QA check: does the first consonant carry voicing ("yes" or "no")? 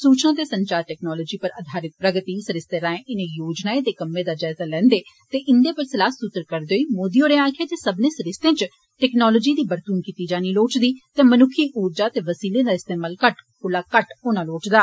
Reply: no